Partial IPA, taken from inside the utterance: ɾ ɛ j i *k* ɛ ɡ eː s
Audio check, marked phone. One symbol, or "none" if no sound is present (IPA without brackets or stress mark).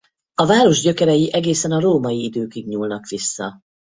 ʔ